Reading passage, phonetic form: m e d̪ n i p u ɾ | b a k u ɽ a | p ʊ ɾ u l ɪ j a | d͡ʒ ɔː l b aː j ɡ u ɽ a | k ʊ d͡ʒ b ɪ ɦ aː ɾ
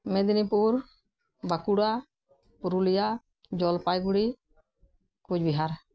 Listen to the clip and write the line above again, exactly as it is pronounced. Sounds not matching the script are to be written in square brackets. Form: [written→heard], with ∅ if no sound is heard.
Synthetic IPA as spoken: m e d̪ n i p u ɾ | b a k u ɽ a | p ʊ ɾ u l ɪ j a | d͡ʒ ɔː l [b→p] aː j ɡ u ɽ [a→i] | k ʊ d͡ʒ b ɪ ɦ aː ɾ